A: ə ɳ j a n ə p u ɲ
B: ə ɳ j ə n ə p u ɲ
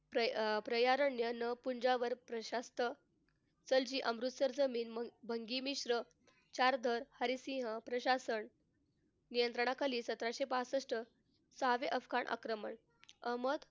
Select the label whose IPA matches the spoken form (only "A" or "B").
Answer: B